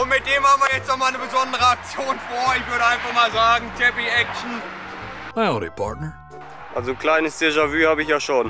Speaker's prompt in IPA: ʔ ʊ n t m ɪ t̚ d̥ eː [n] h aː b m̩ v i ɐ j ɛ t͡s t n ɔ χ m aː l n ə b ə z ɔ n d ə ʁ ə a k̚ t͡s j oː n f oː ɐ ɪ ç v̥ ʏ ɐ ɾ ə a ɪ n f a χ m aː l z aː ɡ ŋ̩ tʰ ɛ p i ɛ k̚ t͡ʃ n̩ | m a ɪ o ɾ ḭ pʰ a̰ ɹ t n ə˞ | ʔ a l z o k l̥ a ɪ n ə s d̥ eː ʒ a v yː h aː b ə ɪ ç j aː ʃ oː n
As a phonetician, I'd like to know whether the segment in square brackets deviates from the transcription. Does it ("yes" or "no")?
yes